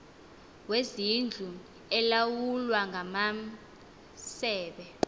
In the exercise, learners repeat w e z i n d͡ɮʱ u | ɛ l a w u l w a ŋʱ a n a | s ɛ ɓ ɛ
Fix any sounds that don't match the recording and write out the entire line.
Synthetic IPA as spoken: w e z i n d͡ɮʱ u | ɛ l a w u l w a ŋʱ a m a | s ɛː ɓ ɛ